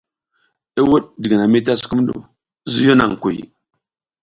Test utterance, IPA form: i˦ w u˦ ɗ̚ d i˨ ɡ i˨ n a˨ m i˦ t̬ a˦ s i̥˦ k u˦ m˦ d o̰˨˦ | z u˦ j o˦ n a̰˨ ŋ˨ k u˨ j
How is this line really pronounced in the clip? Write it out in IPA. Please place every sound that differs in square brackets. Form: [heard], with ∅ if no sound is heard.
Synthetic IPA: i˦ w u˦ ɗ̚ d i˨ ɡ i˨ n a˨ m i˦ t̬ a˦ s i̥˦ k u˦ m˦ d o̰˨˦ | z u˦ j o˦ n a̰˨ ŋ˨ k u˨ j